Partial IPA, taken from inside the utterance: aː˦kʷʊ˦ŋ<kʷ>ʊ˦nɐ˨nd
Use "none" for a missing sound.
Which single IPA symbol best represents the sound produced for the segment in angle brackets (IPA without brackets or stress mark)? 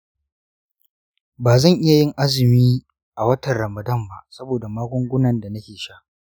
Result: ɡʷ